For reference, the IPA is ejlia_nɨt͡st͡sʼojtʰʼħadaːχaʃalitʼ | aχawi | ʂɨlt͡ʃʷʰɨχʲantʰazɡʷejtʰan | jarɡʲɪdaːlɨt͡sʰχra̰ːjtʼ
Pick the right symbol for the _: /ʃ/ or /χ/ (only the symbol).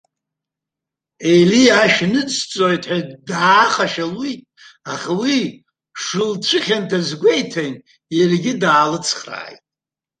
ʃ